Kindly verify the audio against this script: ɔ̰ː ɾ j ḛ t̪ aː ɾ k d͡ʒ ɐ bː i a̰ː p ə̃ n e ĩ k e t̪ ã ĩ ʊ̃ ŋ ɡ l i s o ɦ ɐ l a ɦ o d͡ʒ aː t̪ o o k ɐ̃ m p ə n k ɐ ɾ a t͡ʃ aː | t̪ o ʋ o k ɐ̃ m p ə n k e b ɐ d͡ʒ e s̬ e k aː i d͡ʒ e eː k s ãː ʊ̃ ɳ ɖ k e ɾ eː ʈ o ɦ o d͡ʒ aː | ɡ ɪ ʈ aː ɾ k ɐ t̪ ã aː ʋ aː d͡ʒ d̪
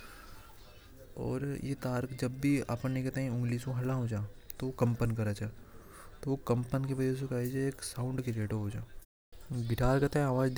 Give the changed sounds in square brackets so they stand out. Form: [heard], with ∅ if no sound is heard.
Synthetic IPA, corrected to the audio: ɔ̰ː ɾ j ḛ t̪ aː ɾ k d͡ʒ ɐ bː i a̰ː p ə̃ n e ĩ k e t̪ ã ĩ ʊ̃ ŋ ɡ l i s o ɦ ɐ l a ɦ o d͡ʒ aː t̪ o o k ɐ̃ m p ə n k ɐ ɾ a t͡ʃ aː | t̪ o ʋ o k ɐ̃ m p ə n k e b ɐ d͡ʒ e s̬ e k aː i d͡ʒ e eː k s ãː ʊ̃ ɳ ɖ k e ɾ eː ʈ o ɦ o d͡ʒ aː | ɡ ɪ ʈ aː ɾ k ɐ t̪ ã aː ʋ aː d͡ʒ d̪

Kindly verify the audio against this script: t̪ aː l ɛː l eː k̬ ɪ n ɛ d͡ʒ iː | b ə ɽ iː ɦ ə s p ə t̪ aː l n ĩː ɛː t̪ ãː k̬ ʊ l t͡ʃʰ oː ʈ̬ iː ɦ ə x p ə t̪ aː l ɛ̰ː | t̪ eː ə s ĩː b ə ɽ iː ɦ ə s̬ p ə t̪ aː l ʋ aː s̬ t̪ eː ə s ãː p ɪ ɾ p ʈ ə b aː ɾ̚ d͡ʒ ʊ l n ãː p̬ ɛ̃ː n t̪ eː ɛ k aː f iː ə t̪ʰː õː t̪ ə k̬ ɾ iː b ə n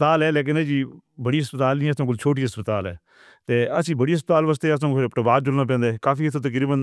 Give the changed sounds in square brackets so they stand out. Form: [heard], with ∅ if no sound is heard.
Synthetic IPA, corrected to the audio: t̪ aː l ɛː l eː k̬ ɪ n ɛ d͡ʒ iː | b ə ɽ iː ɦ ə s p ə t̪ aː l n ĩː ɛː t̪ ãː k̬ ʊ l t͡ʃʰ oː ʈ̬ iː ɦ ə [s] p ə t̪ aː l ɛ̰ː | t̪ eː ə s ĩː b ə ɽ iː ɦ ə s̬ p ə t̪ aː l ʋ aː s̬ t̪ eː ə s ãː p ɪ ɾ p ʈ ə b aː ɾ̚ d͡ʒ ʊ l n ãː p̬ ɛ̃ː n [d̪] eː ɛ k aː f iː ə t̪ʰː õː t̪ ə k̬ ɾ iː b ə n

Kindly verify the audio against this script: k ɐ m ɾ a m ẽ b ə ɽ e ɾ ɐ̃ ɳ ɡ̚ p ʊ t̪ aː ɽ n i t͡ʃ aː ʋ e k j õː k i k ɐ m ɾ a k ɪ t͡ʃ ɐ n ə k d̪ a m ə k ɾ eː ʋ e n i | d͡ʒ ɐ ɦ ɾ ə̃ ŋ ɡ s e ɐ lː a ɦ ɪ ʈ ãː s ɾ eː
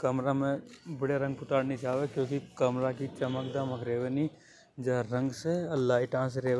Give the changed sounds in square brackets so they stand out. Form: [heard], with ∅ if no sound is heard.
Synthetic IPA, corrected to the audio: k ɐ m ɾ a m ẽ b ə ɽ e ɾ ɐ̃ [ŋ] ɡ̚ p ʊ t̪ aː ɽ n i t͡ʃ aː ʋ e k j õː k i k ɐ m ɾ a k [i] t͡ʃ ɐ [m] ə k d̪ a m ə k ɾ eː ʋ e n i | d͡ʒ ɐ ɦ ɾ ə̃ ŋ ɡ s e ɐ lː a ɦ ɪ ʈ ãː s ɾ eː

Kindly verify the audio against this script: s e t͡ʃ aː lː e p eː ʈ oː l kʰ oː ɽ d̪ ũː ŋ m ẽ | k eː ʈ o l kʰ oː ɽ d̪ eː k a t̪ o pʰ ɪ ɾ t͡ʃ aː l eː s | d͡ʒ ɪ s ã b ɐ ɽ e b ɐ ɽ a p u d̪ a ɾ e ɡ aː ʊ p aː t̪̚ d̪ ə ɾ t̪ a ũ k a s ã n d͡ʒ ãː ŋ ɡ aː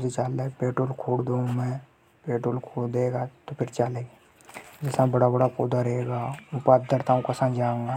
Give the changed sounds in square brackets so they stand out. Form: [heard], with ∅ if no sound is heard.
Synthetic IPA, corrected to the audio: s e t͡ʃ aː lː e p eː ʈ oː l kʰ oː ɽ d̪ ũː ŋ m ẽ | [p] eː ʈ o l kʰ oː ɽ d̪ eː [ɡ] a t̪ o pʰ ɪ ɾ t͡ʃ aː l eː [∅] | d͡ʒ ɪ s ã b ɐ ɽ [a] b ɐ ɽ a p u d̪ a ɾ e ɡ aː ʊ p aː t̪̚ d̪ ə ɾ t̪ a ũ k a s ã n d͡ʒ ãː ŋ ɡ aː

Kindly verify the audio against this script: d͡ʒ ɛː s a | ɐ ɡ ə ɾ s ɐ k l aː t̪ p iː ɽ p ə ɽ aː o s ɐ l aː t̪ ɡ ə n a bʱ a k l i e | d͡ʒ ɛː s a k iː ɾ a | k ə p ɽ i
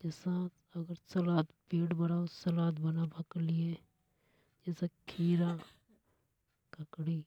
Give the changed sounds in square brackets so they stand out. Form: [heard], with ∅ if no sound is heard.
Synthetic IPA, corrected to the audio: d͡ʒ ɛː s a | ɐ ɡ ə ɾ s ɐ [∅] l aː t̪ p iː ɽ [b] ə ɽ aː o s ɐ l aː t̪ [b] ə n a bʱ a k l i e | d͡ʒ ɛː s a [kʰ] iː ɾ a | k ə [k] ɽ i

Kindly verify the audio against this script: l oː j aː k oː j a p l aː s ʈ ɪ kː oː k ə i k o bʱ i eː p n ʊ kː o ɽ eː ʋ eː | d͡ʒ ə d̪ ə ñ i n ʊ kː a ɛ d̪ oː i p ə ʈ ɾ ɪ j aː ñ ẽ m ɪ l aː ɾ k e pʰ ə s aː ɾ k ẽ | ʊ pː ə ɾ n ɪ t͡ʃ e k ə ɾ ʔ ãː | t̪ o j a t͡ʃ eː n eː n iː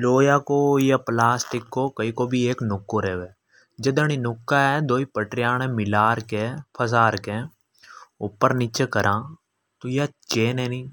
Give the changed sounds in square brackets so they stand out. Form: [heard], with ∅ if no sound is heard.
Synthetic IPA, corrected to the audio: l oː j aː k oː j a p l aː s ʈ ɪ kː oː k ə i k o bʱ i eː [k] n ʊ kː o [ɾ] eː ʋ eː | d͡ʒ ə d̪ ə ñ i n ʊ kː a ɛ d̪ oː i p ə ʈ ɾ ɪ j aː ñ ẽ m ɪ l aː ɾ k e pʰ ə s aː ɾ k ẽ | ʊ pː ə ɾ n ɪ t͡ʃ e k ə ɾ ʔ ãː | t̪ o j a t͡ʃ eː n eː n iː

